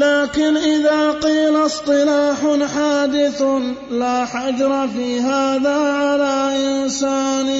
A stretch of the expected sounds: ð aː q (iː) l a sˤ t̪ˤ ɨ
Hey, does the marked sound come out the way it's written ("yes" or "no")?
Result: yes